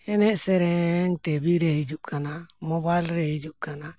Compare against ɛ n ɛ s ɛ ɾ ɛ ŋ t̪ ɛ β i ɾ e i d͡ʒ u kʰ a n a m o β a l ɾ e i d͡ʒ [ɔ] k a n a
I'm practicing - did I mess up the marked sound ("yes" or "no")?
yes